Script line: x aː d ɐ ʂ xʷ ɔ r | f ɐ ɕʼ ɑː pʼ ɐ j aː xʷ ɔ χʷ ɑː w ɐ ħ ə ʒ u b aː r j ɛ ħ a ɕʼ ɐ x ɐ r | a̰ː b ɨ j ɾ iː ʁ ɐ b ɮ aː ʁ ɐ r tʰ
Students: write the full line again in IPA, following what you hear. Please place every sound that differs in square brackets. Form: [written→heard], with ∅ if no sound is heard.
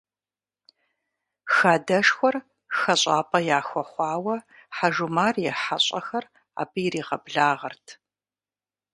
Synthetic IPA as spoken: x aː d ɐ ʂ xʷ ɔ r | [f→x] ɐ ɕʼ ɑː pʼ ɐ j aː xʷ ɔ χʷ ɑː w ɐ ħ [ə→a] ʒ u [b→m] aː r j ɛ ħ a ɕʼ ɐ x ɐ r | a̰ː b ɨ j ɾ iː ʁ ɐ b ɮ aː ʁ ɐ r tʰ